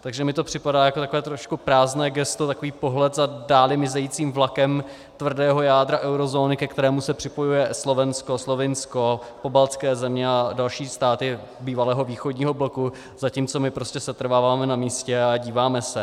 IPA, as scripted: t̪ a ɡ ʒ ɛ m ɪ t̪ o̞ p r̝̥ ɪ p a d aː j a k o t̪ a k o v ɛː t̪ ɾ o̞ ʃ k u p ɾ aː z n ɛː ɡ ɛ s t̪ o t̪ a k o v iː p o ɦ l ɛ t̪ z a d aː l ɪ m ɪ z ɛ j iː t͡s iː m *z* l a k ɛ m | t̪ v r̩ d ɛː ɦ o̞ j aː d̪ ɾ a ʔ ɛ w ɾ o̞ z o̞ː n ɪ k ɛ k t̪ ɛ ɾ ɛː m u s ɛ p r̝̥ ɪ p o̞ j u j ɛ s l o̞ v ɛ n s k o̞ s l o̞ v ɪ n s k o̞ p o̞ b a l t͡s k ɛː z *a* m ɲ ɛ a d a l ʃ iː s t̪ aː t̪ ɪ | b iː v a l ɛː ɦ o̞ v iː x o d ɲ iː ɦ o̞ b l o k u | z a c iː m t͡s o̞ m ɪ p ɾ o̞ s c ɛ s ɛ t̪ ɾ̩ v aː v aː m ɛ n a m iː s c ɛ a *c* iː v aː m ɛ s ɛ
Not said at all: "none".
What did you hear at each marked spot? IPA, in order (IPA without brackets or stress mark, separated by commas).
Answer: v, ɛ, ɟ